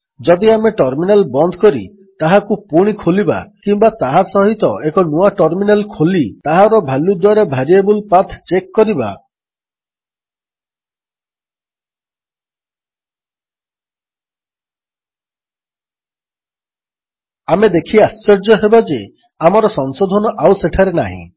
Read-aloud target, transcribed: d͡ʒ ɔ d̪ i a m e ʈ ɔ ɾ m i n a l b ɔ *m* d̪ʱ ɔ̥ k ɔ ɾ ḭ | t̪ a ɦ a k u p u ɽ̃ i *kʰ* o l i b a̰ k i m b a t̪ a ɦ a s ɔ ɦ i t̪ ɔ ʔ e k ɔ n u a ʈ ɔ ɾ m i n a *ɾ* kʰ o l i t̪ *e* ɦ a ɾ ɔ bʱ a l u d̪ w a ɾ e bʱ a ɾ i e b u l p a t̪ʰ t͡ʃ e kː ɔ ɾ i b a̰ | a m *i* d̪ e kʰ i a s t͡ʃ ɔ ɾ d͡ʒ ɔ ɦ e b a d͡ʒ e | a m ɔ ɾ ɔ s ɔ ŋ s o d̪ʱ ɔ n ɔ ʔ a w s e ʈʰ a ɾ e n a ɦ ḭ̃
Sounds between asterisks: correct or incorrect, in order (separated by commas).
incorrect, correct, incorrect, incorrect, incorrect